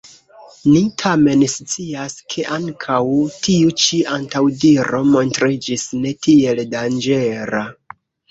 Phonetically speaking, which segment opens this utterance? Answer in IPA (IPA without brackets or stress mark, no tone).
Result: n